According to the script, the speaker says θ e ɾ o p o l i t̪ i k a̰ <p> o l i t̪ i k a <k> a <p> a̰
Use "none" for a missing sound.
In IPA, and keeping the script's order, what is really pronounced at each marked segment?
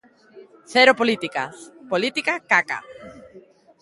p, k, k

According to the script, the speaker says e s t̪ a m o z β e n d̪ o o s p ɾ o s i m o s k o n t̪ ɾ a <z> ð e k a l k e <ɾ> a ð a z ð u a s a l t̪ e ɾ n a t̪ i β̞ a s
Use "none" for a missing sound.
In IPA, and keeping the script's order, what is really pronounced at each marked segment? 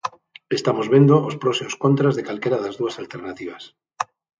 z, ɾ

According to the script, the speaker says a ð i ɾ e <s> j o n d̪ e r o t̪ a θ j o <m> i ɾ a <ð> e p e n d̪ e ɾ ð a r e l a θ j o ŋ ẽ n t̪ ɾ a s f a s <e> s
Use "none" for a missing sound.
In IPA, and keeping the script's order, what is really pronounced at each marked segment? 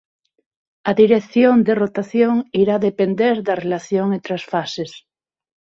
θ, ŋ, ð, e

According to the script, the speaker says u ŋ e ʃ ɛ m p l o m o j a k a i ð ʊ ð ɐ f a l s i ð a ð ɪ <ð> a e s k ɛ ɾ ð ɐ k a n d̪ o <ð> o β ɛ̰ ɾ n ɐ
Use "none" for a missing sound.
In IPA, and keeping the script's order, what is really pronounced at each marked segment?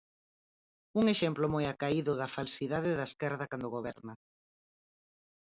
ð, ɣ

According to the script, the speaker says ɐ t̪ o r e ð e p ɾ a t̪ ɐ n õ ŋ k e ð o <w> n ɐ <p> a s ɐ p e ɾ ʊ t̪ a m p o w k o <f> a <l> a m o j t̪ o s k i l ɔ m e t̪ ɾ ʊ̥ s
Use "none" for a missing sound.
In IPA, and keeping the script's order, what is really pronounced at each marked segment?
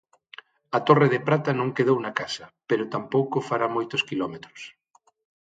w, k, f, ɾ

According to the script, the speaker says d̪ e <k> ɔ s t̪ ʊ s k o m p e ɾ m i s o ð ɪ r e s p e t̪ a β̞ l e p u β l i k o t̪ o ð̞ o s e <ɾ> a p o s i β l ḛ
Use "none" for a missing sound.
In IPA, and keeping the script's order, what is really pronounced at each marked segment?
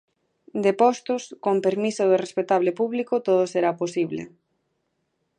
p, ɾ

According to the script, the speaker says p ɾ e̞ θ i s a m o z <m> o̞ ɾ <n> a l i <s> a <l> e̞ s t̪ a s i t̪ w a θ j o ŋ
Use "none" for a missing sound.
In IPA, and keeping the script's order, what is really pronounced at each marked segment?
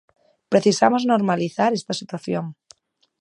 n, m, θ, ɾ

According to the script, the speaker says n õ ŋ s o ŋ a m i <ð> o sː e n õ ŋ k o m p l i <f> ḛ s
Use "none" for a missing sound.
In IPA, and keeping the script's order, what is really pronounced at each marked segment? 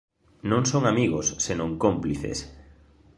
ɣ, θ

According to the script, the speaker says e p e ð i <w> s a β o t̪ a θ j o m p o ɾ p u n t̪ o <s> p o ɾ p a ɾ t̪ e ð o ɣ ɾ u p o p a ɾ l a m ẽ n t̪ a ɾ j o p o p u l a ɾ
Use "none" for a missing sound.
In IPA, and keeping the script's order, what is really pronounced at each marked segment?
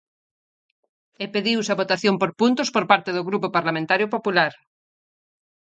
w, s

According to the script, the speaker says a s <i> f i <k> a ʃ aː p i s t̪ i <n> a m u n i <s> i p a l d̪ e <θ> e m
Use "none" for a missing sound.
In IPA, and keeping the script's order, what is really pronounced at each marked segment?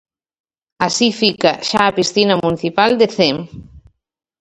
i, k, n, θ, θ

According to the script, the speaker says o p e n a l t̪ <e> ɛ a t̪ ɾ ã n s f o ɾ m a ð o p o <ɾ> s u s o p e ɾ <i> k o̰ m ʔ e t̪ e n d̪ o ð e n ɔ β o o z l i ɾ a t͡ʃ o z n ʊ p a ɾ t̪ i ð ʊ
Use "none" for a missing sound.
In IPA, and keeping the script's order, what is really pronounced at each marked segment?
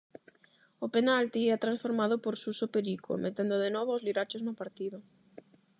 i, ɾ, i

